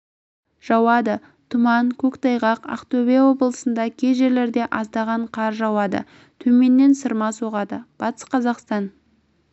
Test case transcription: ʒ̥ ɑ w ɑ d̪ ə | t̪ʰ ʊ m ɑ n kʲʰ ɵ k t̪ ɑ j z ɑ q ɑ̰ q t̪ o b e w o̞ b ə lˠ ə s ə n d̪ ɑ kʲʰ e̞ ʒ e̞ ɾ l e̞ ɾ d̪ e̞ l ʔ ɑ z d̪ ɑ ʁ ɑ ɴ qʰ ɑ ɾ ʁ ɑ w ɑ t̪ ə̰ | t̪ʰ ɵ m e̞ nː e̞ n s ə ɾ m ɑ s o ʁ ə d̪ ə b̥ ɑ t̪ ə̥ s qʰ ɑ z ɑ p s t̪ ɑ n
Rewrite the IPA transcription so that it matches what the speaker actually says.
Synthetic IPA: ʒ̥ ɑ w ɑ d̪ ə | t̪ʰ ʊ m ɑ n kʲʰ ɵ k t̪ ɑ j ʁ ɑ q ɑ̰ q t̪ o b e w o̞ b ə lˠ ə s ə n d̪ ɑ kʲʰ e̞ ʒ e̞ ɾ l e̞ ɾ d̪ e̞ ʔ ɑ z d̪ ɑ ʁ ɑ ɴ qʰ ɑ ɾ ʒ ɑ w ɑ d̪ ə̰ | t̪ʰ ɵ m e̞ nː e̞ n s ə ɾ m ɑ s o ʁ ɑ d̪ ə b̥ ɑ t̪ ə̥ s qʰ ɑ z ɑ q s t̪ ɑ n